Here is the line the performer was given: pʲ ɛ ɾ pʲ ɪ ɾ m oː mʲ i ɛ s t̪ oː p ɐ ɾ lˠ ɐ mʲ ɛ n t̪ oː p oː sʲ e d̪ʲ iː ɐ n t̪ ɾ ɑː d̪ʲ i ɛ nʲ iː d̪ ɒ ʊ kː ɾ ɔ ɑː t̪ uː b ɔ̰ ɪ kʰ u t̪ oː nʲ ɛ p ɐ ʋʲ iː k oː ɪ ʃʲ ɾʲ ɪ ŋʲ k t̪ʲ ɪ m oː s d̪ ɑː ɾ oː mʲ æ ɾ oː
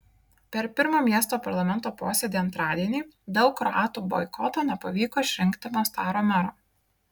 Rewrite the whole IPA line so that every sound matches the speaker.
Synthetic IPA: pʲ ɛ ɾ pʲ ɪ ɾ m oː mʲ i ɛ s t̪ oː p ɐ ɾ lˠ ɐ mʲ ɛ n t̪ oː p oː sʲ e d̪ʲ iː ɐ n t̪ ɾ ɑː d̪ʲ i ɛ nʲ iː d̪ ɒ ʊ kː ɾ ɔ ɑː t̪ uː b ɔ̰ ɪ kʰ ɔ t̪ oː nʲ ɛ p ɐ ʋʲ iː k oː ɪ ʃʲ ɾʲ ɪ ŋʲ k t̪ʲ ɪ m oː s t̪ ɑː ɾ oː mʲ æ ɾ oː